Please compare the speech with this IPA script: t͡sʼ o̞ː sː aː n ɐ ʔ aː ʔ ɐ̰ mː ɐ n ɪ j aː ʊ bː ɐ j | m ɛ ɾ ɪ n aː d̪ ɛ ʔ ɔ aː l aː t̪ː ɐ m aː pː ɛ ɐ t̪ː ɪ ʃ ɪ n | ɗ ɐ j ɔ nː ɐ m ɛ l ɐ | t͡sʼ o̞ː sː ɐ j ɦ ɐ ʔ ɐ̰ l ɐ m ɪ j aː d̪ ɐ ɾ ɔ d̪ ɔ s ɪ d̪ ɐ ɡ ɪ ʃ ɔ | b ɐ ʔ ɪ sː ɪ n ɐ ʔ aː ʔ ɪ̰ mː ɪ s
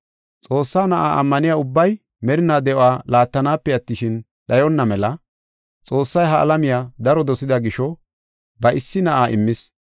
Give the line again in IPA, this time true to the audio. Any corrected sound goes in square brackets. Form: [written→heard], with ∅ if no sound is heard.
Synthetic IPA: t͡sʼ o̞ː sː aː n ɐ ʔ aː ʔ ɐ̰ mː ɐ n ɪ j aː ʊ bː ɐ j | m ɛ ɾ ɪ n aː d̪ ɛ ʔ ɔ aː l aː t̪ː ɐ [m→n] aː pː ɛ ɐ t̪ː ɪ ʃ ɪ n | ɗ ɐ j ɔ nː ɐ m ɛ l ɐ | t͡sʼ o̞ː sː ɐ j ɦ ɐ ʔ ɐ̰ l ɐ m ɪ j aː d̪ ɐ ɾ ɔ d̪ ɔ s ɪ d̪ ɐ ɡ ɪ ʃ ɔ | b ɐ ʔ ɪ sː ɪ n ɐ ʔ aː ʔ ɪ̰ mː ɪ s

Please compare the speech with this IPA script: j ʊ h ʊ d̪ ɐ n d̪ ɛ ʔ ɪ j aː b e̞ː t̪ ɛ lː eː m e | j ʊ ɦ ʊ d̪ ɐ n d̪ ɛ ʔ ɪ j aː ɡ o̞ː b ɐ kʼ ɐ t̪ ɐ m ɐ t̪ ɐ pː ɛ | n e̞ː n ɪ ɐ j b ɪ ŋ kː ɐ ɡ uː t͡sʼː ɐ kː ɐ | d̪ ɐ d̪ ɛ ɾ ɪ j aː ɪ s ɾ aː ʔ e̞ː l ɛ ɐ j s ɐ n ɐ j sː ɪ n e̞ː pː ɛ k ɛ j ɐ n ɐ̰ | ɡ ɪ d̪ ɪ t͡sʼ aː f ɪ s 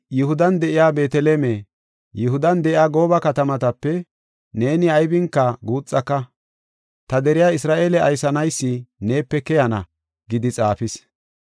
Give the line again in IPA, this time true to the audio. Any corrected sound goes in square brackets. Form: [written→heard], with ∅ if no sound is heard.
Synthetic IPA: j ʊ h ʊ d̪ ɐ n d̪ ɛ ʔ ɪ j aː b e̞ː t̪ ɛ [lː→l] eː m e | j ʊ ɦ ʊ d̪ ɐ n d̪ ɛ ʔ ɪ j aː ɡ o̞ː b ɐ [kʼ→k] ɐ t̪ ɐ m ɐ t̪ ɐ pː ɛ | n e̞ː n ɪ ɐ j b ɪ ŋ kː ɐ ɡ uː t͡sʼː ɐ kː ɐ | [d̪→t̪] ɐ d̪ ɛ ɾ ɪ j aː ɪ s ɾ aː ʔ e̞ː l ɛ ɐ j s ɐ n ɐ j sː ɪ n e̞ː pː ɛ k ɛ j ɐ n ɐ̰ | ɡ ɪ d̪ ɪ t͡sʼ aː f ɪ s

